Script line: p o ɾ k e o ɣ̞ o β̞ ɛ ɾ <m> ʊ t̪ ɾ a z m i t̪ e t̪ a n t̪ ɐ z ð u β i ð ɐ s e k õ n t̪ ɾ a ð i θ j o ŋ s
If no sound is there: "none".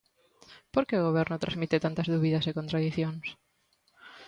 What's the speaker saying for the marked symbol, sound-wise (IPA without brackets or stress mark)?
n